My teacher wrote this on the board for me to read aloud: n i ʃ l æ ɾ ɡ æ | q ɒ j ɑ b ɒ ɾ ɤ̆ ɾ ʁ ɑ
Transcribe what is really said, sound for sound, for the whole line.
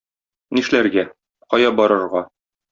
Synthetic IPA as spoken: n i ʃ l æ ɾ ɡ æ | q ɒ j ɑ b ɒ ɾ ɤ̆ ɾ ʁ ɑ